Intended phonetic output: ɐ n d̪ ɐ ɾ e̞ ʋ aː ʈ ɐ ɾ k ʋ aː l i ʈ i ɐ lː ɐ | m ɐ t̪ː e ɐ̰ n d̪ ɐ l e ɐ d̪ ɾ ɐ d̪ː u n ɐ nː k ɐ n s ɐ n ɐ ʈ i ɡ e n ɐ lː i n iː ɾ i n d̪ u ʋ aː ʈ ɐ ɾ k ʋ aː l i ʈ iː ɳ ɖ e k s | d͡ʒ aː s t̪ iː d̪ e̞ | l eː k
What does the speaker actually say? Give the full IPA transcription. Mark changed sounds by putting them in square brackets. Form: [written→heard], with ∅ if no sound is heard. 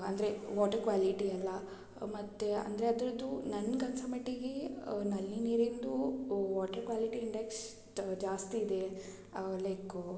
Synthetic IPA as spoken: ɐ n d̪ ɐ ɾ e̞ ʋ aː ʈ ɐ ɾ k ʋ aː l i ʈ i ɐ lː ɐ | m ɐ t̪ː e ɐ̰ n d̪ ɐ [l→ɾ] e ɐ d̪ ɾ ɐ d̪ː u n ɐ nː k ɐ n s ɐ [n→m] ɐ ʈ i ɡ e n ɐ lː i n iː ɾ i n d̪ u ʋ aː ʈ ɐ ɾ k ʋ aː l i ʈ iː ɳ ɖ e k s | d͡ʒ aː s t̪ iː d̪ e̞ | l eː k